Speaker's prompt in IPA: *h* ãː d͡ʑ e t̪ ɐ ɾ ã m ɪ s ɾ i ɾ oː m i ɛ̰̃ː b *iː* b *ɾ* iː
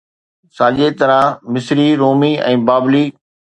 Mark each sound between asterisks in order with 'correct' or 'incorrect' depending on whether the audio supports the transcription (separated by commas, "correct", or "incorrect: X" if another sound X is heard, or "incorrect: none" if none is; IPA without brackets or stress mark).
incorrect: s, incorrect: aː, incorrect: l